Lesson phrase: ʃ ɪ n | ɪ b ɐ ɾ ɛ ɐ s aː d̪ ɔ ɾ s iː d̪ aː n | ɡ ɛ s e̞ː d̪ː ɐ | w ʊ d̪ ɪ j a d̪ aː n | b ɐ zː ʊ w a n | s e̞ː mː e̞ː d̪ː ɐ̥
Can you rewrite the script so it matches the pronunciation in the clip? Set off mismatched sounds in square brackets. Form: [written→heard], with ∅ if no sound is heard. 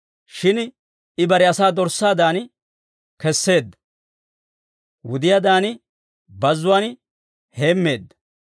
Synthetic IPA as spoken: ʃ ɪ n | ɪ b ɐ ɾ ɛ ɐ s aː d̪ ɔ ɾ s [iː→aː] d̪ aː n | [ɡ→k] ɛ [s→sː] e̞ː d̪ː ɐ | w ʊ d̪ ɪ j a d̪ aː n | b ɐ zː ʊ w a n | [s→h] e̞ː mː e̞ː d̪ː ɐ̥